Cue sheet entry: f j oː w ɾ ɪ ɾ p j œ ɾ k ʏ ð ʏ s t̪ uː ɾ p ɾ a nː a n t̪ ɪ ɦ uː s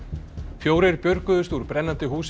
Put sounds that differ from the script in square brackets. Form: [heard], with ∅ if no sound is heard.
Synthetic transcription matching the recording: f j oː w ɾ ɪ ɾ p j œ ɾ k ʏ ð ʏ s t̪ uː ɾ p ɾ [ɛ] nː a n t̪ ɪ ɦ uː s